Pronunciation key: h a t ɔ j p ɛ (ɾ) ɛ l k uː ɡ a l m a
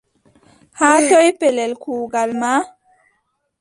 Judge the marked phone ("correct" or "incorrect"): incorrect